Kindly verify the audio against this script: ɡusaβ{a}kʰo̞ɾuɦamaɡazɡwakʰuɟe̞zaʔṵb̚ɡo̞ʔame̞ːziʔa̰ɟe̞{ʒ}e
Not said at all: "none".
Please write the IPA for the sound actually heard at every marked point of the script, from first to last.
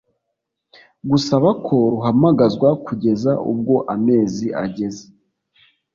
a, z

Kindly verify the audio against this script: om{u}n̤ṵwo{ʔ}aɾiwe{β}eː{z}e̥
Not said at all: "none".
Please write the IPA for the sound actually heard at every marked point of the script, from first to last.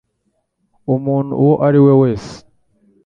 uː, ʔ, w, s

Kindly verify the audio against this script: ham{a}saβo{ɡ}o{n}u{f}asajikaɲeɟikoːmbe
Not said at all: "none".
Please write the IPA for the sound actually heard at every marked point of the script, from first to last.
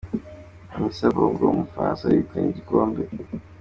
i, ɡ, m, f

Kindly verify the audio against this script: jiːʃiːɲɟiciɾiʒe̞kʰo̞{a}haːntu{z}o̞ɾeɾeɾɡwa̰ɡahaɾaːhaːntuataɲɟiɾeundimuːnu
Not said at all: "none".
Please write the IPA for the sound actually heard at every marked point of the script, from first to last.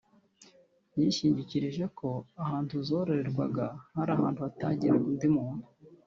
a, z

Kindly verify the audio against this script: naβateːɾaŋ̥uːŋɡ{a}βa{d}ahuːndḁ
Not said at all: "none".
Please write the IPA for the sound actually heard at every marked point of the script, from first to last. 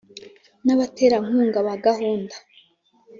a, ɡ

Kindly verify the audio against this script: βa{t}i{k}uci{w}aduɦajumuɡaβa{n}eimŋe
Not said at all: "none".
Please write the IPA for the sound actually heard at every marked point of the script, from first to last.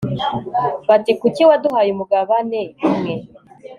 t, k, w, n

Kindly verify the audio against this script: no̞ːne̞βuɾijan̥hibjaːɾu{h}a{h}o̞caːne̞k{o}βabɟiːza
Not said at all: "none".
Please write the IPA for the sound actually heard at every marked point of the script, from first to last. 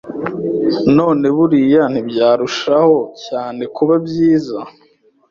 ʃ, h, u

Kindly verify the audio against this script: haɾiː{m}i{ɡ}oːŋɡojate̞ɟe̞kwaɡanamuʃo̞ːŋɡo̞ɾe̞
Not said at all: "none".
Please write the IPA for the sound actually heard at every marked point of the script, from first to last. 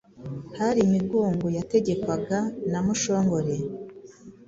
m, ɡ

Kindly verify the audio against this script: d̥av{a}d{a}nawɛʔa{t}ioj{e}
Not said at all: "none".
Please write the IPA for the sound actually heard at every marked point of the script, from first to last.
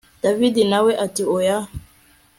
i, i, t, a

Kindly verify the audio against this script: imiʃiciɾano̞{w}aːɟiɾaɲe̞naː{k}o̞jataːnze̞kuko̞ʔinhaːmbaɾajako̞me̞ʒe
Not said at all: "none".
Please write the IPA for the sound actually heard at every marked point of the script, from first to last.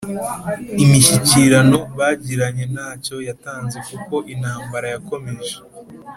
β, c

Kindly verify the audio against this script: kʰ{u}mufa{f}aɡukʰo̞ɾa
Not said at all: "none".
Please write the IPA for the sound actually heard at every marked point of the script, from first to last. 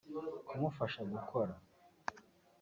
u, ʃ

